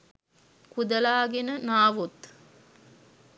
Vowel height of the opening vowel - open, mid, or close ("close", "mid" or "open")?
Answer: close